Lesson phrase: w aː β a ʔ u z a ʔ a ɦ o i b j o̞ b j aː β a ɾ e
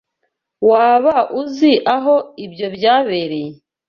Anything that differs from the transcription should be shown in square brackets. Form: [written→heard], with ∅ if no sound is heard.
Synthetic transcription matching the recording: w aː β a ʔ u z [a→i] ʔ a ɦ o i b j o̞ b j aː β [a→e] ɾ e